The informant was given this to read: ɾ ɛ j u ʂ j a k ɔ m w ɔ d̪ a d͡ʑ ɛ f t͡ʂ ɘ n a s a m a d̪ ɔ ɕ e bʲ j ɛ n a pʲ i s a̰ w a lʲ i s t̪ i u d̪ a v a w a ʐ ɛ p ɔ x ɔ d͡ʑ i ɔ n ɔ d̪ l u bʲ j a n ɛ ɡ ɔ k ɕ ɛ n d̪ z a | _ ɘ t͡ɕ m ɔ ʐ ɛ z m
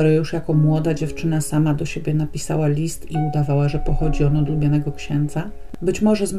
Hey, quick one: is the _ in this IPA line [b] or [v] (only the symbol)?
b